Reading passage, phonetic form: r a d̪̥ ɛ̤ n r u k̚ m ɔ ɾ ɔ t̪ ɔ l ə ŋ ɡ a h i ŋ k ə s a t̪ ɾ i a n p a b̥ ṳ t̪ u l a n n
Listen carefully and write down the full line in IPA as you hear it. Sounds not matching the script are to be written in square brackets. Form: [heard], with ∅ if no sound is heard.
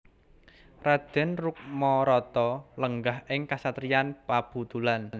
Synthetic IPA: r a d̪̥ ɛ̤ n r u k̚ m ɔ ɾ ɔ t̪ ɔ l ə ŋ ɡ a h [ɪ] ŋ k [a] s a t̪ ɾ i a n p a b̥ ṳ t̪ u l a n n